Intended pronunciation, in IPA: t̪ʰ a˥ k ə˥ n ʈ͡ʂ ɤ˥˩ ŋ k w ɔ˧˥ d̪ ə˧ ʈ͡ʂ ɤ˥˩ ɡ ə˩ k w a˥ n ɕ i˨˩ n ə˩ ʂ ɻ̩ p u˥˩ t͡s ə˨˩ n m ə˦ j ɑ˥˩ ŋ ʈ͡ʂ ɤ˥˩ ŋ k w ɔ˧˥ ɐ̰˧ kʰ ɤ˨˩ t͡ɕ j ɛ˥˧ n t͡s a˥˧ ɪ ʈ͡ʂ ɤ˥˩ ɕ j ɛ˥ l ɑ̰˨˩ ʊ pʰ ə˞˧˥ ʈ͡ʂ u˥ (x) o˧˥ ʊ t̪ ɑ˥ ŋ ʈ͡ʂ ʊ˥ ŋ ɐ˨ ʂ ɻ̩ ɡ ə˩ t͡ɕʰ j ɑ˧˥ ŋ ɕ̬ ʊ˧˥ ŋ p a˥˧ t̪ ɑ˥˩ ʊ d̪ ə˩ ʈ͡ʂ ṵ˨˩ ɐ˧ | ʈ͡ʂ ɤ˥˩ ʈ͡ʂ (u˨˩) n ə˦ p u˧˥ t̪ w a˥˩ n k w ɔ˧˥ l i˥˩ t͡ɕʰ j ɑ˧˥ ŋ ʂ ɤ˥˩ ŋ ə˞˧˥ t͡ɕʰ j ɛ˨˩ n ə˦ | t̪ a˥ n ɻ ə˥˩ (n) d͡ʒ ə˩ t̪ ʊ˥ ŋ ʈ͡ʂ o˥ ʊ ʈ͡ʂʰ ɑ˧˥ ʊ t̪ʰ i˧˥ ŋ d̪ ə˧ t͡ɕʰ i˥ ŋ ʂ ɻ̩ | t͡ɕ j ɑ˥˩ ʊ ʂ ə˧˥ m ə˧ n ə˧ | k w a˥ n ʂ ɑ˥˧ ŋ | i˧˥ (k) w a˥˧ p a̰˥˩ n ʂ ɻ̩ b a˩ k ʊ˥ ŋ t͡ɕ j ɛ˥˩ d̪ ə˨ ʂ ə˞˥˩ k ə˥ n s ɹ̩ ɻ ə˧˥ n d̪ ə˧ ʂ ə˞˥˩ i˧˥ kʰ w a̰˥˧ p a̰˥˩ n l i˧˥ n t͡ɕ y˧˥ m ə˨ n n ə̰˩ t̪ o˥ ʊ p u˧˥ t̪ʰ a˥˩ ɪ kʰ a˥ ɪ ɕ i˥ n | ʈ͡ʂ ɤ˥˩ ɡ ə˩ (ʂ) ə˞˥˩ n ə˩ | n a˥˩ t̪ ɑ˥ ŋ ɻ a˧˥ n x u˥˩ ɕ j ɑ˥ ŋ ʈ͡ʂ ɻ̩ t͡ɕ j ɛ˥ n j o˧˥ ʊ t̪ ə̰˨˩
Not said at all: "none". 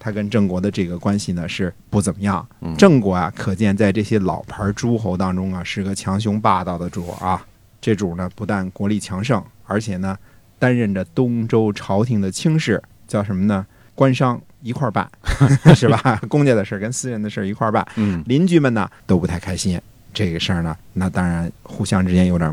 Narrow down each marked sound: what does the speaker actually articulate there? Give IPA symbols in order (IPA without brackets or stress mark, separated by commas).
x, u˨˩, n, kʰ, ʂ